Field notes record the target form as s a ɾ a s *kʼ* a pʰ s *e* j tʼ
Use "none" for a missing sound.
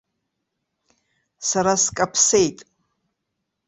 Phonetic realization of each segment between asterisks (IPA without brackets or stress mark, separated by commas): kʼ, e